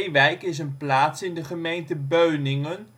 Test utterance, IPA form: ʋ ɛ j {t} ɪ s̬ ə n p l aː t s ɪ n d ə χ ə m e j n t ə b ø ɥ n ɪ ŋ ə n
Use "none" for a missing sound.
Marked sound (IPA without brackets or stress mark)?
k